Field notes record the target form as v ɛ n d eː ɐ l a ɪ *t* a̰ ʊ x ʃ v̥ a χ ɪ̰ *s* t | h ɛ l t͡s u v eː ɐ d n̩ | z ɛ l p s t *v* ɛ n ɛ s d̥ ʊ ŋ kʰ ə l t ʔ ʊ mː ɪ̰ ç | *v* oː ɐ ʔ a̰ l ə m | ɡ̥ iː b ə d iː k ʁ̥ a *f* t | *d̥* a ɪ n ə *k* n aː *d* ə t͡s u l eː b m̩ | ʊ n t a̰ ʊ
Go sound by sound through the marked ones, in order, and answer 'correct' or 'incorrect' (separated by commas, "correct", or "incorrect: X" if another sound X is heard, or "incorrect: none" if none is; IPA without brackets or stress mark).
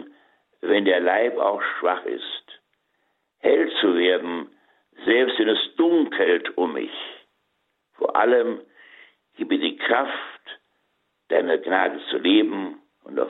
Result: incorrect: p, correct, correct, incorrect: f, correct, correct, incorrect: ɡ, correct